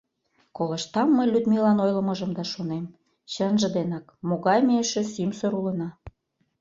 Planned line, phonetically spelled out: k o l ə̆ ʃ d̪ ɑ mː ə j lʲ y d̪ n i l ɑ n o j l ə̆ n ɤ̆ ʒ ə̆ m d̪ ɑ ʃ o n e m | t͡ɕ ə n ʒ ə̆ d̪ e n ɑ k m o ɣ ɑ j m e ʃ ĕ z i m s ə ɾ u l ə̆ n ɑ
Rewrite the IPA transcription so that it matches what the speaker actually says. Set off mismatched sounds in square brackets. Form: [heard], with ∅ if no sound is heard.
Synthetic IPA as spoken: k o l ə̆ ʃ [t̪] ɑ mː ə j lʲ y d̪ [m] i l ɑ n o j l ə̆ [m] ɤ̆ ʒ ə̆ m d̪ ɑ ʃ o n e m | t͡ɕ ə n ʒ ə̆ d̪ e n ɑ k m o ɣ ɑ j m e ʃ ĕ [s] i m s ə ɾ u l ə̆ n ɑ